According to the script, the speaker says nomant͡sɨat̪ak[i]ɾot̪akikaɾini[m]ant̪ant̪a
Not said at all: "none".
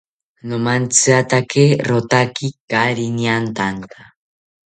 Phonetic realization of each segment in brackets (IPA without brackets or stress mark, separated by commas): e, none